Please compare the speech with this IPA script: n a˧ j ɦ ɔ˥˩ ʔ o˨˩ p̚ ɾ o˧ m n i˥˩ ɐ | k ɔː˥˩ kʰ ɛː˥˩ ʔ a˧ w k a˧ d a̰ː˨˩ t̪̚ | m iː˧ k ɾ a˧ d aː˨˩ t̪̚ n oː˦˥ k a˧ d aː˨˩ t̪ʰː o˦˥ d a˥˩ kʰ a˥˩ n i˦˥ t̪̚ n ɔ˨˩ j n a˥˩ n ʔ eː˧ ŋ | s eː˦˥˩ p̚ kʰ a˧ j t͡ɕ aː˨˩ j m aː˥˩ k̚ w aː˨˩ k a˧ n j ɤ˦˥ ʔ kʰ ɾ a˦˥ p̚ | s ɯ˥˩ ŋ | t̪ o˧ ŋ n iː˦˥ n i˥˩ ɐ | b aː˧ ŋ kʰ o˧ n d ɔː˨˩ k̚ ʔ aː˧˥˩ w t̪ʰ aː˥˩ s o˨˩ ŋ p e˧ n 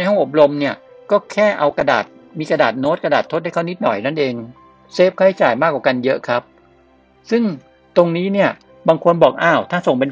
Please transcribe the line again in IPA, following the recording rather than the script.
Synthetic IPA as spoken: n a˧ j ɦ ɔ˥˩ ʔ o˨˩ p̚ ɾ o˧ m n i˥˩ ɐ | k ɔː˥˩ kʰ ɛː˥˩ ʔ a˧ w k a˧ d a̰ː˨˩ t̪̚ | m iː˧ k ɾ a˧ d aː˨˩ t̪̚ n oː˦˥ k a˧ d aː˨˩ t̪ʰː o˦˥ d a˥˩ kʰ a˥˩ n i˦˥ t̪̚ n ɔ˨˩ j n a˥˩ n ʔ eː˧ ŋ | s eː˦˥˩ p̚ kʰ a˥˩ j t͡ɕ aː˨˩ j m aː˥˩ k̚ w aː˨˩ k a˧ n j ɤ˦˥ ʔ kʰ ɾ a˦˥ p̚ | s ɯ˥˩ ŋ | t̪ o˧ ŋ n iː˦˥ n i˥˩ ɐ | b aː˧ ŋ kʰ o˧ n b ɔː˨˩ k̚ ʔ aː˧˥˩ w t̪ʰ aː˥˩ s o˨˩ ŋ p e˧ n